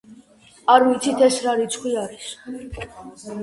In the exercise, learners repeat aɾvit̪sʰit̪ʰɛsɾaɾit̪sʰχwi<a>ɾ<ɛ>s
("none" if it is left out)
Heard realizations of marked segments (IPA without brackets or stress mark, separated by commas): a, i